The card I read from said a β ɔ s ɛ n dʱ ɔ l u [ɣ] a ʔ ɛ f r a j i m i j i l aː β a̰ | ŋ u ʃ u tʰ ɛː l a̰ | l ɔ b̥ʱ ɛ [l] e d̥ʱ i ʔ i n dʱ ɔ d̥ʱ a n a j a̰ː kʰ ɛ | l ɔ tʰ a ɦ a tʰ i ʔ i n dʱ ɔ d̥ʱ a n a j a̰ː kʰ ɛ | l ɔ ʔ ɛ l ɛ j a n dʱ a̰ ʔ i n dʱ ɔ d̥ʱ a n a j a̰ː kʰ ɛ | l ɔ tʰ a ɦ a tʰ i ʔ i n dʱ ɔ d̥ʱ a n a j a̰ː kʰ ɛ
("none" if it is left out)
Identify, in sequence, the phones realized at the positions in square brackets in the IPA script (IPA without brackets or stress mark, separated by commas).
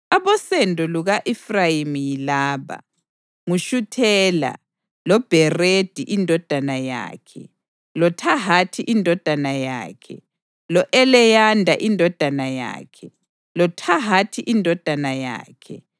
ɣ, r